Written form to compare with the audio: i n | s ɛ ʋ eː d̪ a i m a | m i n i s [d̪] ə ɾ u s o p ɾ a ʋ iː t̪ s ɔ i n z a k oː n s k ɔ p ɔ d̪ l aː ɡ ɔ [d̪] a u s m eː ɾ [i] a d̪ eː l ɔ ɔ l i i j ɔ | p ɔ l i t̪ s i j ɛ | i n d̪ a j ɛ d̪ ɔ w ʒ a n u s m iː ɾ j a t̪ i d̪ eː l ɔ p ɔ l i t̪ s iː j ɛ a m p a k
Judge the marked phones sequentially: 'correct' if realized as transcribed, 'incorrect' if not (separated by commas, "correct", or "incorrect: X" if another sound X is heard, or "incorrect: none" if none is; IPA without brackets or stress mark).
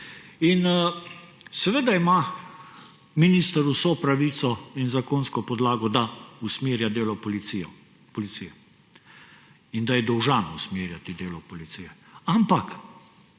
incorrect: t̪, correct, incorrect: j